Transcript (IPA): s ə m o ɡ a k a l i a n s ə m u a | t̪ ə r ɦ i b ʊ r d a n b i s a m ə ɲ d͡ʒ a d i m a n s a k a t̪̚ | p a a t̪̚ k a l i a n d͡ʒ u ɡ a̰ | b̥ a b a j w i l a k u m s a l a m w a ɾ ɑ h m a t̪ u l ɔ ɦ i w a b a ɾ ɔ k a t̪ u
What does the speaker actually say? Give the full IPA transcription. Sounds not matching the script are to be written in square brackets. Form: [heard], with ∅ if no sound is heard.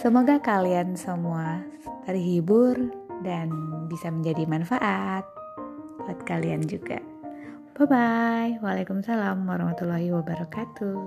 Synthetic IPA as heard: s ə m o ɡ a k a l i a n s ə m u a | t̪ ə r ɦ i b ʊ r d a n b i s a m ə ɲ d͡ʒ a d i m a n [f] a [ʔ] a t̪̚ | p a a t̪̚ k a l i a n d͡ʒ u ɡ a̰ | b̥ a b a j w [a] l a k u m s a l a m w a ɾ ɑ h m a t̪ u l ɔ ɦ i w a b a ɾ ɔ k a t̪ u